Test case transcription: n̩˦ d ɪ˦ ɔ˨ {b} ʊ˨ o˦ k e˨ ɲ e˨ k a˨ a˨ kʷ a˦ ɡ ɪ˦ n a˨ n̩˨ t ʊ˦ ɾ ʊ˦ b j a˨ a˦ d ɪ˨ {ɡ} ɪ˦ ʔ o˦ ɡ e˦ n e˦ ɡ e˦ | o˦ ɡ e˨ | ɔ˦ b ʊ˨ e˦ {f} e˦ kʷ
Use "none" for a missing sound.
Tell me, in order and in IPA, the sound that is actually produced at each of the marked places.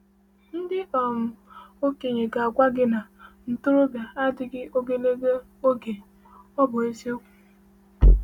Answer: m, ɡ, s

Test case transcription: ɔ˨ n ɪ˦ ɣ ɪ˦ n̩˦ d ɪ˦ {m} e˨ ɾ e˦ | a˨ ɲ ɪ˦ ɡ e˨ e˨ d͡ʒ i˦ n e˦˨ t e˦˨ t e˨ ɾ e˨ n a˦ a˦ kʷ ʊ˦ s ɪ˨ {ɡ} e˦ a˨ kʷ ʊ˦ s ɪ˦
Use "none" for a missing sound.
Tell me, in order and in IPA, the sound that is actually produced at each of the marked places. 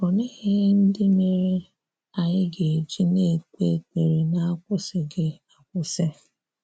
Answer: m, ɡ

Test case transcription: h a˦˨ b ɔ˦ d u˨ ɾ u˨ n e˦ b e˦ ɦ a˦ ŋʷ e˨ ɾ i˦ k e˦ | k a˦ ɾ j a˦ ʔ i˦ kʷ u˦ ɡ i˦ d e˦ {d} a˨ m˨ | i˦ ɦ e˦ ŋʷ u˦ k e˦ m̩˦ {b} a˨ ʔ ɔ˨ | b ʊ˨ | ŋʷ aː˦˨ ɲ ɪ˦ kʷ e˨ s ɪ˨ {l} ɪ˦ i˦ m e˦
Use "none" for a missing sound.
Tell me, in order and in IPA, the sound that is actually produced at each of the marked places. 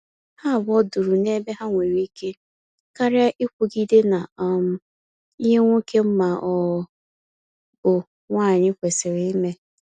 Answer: n, m, ɾ

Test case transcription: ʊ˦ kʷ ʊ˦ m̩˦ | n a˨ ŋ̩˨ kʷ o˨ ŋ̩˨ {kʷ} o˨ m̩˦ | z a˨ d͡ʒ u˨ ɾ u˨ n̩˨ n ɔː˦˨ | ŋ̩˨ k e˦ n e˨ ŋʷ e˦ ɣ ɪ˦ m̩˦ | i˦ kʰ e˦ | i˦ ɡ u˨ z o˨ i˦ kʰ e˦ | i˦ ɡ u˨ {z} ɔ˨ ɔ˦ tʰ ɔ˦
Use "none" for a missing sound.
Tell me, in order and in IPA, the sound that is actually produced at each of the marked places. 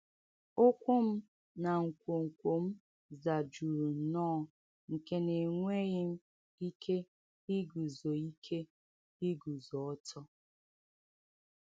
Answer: kʷ, z

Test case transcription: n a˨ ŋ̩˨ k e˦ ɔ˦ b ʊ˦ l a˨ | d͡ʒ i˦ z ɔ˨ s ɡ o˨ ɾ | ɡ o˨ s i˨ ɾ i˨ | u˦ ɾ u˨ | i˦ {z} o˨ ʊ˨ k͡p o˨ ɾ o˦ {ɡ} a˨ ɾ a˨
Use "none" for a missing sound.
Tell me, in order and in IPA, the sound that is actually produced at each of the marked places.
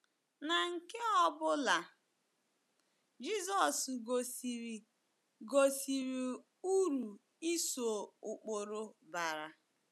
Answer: s, b

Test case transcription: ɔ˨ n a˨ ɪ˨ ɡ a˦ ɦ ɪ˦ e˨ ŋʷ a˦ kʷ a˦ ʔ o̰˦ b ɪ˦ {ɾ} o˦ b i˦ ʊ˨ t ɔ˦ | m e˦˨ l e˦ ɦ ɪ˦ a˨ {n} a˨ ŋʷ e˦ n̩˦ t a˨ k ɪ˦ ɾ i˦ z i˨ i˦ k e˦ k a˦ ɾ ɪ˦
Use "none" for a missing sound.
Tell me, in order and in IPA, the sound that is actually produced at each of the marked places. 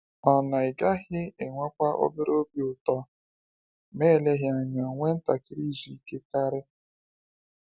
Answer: ɾ, ɲ

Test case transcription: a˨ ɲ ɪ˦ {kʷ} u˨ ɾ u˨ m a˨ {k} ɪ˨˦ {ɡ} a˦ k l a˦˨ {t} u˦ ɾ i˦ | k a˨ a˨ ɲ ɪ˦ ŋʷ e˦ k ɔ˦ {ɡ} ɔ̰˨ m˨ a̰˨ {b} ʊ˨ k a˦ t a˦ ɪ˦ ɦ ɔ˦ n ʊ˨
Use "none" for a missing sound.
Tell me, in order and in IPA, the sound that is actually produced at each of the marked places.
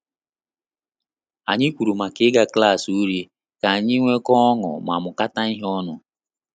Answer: kʷ, k, ɡ, s, ŋ, m

